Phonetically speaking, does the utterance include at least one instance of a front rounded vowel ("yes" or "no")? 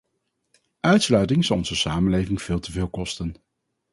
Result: yes